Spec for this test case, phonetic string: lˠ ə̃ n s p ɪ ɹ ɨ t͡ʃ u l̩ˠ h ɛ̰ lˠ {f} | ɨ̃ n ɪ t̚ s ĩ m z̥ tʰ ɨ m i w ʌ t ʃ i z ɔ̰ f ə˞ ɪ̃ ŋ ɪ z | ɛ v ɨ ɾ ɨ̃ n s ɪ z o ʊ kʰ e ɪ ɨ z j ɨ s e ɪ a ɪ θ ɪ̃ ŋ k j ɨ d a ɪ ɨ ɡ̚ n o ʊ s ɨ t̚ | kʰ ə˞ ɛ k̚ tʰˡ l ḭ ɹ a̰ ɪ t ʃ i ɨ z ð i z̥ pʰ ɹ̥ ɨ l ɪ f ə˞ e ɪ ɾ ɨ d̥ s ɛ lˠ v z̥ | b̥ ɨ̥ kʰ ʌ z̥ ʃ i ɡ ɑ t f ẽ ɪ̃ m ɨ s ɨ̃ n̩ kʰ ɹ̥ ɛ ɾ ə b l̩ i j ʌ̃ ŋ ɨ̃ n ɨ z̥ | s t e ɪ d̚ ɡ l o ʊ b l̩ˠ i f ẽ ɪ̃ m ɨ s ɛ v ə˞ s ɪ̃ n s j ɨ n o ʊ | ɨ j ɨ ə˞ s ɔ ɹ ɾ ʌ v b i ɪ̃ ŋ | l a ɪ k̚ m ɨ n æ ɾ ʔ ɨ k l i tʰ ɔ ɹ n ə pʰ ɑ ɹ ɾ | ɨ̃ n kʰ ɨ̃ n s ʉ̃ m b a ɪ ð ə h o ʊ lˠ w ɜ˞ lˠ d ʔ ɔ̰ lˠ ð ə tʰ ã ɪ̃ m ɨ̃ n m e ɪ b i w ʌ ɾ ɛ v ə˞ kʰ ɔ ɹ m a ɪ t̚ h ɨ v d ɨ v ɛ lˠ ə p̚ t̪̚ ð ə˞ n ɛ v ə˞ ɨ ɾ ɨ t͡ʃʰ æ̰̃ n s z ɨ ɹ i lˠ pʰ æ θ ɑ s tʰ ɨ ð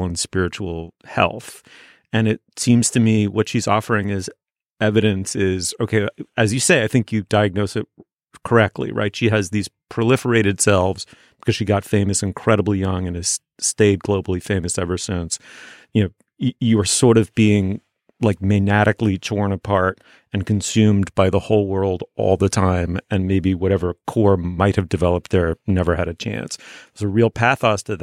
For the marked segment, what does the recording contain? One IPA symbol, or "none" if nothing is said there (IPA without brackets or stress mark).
θ